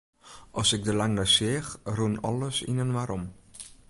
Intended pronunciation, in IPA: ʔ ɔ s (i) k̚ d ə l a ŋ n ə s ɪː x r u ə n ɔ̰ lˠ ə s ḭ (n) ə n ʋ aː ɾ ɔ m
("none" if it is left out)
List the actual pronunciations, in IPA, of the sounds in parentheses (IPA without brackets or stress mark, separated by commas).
ɪ, n